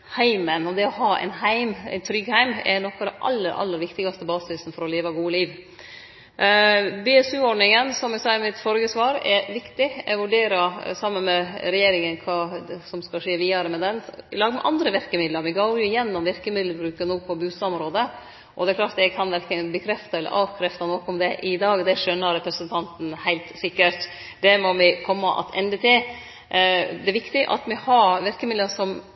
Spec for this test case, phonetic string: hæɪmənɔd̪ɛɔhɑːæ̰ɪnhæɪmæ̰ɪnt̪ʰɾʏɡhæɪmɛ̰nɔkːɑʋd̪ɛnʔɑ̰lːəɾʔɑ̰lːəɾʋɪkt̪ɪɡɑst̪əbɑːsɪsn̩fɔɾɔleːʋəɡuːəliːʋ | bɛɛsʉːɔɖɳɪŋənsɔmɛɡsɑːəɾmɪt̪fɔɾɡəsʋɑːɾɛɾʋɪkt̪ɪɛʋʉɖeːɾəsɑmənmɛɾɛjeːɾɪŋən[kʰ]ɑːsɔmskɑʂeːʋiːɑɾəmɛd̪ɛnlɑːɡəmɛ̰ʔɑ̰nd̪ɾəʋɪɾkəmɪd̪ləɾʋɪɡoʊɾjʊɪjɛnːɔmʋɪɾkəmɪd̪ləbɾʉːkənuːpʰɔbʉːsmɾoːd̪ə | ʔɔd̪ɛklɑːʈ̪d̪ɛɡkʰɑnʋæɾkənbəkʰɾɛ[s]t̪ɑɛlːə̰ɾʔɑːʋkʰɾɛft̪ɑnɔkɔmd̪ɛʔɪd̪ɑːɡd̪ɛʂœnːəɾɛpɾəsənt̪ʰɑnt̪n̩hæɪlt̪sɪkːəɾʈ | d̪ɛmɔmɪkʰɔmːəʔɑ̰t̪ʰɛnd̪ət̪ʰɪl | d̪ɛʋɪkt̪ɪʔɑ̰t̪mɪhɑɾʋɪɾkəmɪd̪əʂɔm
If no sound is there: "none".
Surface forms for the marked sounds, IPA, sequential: kʰ, f

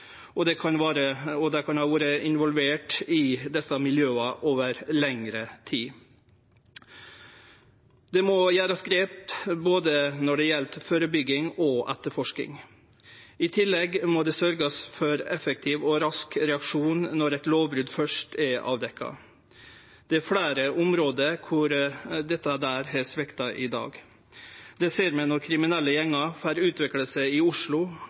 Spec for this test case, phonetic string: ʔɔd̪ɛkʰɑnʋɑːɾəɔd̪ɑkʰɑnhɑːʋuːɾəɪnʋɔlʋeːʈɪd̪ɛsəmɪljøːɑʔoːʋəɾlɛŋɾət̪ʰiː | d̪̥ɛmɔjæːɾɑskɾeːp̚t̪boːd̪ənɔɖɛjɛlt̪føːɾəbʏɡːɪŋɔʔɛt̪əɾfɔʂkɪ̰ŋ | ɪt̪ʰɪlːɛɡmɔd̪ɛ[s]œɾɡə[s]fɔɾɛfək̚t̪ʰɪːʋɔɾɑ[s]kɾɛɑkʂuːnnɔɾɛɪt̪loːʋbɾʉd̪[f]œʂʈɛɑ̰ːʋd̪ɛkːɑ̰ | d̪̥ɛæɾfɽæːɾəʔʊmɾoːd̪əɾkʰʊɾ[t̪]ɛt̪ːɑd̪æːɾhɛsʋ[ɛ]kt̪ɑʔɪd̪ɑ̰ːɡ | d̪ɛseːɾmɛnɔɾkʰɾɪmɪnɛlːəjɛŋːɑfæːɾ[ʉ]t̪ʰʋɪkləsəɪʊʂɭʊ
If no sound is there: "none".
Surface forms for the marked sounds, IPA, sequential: s, s, s, f, d̪, ɛ, ʉː

